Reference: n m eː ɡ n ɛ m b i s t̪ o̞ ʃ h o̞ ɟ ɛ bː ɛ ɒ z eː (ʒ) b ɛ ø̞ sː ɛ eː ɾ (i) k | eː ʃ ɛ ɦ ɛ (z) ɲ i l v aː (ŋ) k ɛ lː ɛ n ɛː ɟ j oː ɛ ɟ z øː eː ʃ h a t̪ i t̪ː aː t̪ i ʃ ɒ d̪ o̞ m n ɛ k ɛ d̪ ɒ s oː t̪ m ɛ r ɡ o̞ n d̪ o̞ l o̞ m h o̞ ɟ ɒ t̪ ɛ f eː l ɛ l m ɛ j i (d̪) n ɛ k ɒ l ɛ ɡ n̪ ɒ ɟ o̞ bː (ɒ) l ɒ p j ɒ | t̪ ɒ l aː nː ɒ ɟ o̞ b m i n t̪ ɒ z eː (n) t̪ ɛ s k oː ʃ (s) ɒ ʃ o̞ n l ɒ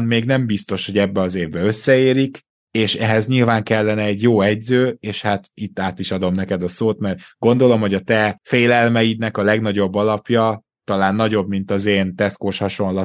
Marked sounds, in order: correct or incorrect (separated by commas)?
incorrect, correct, correct, correct, correct, correct, correct, incorrect